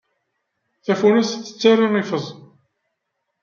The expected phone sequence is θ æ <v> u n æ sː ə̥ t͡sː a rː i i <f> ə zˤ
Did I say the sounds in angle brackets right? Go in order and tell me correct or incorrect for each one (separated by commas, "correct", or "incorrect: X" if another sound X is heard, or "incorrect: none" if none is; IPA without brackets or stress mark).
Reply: incorrect: f, correct